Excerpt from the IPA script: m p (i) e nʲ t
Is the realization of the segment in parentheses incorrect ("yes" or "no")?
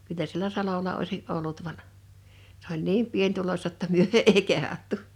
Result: no